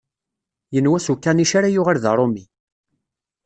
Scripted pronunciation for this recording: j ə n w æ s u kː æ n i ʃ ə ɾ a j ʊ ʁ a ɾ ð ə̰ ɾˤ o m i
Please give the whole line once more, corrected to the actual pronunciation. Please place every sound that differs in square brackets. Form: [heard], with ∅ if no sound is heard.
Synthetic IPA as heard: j ə n w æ s u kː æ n i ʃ [a] ɾ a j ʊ ʁ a ɾ ð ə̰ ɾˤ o m i